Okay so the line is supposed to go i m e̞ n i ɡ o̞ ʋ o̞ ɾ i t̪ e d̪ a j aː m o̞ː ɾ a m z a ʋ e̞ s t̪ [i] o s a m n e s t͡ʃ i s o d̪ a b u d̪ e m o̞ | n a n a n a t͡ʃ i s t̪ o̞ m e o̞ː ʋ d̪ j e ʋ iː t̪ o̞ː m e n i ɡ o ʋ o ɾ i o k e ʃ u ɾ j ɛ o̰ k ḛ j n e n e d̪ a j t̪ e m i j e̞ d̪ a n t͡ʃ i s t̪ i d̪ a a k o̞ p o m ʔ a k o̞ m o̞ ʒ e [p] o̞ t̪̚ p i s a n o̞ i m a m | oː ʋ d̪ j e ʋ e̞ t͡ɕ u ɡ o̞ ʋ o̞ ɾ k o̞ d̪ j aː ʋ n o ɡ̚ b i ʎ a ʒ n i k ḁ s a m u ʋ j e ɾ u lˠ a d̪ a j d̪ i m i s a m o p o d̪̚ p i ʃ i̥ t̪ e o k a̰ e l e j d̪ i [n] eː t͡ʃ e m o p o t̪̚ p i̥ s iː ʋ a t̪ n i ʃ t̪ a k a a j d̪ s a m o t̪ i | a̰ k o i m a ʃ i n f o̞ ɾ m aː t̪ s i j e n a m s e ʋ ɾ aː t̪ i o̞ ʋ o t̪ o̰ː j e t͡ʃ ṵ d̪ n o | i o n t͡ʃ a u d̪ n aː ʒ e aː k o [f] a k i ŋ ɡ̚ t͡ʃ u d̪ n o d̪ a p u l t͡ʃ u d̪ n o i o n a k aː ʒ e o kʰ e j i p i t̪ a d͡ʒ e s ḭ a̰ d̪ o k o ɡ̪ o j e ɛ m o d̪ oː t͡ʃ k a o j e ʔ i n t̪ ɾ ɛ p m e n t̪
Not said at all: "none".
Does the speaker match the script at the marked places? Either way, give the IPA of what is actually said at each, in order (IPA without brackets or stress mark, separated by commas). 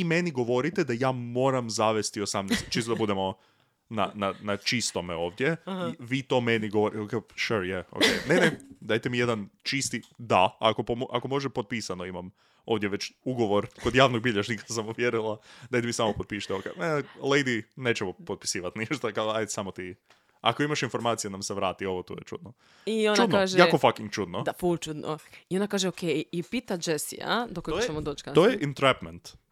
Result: i, p, n, f